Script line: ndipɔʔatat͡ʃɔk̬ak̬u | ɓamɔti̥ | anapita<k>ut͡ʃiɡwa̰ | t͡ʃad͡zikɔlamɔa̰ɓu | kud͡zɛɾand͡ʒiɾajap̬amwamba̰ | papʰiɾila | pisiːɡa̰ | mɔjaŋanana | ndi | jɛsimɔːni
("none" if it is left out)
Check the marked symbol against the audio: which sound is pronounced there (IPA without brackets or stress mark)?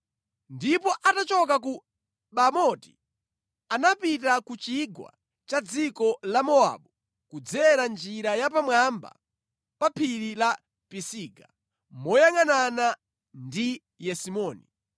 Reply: k